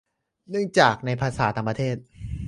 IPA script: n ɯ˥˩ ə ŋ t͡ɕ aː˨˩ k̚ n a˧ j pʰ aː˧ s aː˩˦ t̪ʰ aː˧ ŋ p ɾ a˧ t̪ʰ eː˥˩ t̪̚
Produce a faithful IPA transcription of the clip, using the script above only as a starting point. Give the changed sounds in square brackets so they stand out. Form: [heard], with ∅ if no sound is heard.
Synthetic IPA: n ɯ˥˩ ə ŋ t͡ɕ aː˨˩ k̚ n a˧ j pʰ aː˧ s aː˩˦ [t̪] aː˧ ŋ p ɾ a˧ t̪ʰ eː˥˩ t̪̚